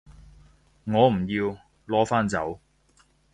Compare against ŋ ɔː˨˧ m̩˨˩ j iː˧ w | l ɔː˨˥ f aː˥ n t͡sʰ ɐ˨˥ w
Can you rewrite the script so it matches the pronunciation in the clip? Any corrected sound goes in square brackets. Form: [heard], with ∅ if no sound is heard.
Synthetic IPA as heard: ŋ ɔː˨˧ m̩˨˩ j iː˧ w | l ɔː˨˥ f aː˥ n [t͡s] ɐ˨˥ w